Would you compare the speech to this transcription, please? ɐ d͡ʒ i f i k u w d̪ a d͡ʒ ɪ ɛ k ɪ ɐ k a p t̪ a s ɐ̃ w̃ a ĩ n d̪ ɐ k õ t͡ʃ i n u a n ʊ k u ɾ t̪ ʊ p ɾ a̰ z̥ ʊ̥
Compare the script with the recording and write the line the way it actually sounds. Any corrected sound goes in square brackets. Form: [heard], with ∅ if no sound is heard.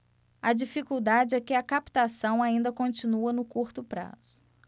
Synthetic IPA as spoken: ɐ d͡ʒ i f i k u w d̪ a d͡ʒ ɪ ɛ k ɪ ɐ k a p t̪ a s ɐ̃ w̃ a ĩ n d̪ ɐ k õ t͡ʃ i n u [ɐ] n ʊ k u ɾ t̪ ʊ p ɾ a̰ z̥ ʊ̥